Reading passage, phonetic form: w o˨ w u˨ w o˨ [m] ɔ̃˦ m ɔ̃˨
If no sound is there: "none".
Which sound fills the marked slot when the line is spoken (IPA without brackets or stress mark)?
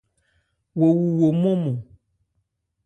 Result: m